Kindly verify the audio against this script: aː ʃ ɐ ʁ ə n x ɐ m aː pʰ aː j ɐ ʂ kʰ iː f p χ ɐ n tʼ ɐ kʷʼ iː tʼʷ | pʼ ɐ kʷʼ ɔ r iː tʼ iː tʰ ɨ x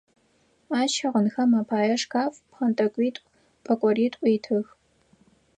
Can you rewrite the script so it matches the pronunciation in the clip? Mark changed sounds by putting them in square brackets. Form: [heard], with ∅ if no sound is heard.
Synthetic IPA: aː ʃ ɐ ʁ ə n x ɐ m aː pʰ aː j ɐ ʂ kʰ [aː] f p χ ɐ n tʼ ɐ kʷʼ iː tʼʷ | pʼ ɐ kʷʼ ɔ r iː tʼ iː tʰ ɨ x